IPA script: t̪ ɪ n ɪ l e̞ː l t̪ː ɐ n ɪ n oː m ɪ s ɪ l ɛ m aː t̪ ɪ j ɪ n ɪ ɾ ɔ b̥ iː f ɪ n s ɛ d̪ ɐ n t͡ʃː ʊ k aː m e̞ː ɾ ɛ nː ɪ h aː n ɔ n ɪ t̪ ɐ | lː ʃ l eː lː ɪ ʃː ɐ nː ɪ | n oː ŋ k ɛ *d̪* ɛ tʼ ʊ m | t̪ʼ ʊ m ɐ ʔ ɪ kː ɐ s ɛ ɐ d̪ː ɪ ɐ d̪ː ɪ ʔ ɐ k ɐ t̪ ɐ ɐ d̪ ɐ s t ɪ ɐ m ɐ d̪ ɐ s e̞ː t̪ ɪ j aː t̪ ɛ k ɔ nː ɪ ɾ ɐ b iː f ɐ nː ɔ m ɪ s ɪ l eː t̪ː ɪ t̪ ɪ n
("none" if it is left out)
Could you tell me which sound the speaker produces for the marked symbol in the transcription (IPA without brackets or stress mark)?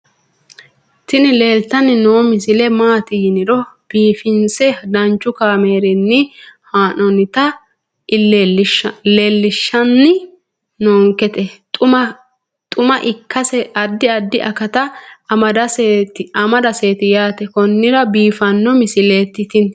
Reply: t̪